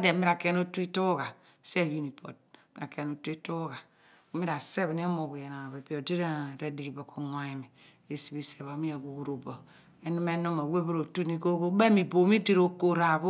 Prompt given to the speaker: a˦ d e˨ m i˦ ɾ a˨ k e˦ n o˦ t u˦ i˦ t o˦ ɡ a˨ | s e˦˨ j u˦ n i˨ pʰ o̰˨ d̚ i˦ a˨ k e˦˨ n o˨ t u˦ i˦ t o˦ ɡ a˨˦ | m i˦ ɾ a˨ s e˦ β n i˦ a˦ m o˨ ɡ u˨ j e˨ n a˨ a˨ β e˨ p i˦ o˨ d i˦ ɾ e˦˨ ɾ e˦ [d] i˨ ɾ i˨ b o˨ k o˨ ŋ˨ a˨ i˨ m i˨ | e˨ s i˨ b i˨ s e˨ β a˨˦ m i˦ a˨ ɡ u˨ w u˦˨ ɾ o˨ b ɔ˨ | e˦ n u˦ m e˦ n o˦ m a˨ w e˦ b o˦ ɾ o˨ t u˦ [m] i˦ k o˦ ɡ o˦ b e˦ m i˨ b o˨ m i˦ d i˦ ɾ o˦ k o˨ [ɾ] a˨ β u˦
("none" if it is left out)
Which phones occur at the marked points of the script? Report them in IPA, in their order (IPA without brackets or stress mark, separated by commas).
d, n, ɾ